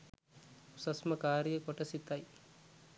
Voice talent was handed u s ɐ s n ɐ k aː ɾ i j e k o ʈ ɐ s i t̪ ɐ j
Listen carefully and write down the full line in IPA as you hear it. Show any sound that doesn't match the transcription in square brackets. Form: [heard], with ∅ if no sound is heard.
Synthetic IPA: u s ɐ s [m] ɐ k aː ɾ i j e k o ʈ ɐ s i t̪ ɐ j